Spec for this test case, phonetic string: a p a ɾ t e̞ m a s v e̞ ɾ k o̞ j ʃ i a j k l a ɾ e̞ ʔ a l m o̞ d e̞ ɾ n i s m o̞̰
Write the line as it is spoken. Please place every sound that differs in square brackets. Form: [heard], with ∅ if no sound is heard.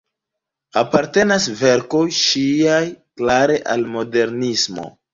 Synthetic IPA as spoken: a p a ɾ t e̞ [n] a s v e̞ ɾ k o̞ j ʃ i a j k l a ɾ e̞ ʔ a l m o̞ d e̞ ɾ n i s m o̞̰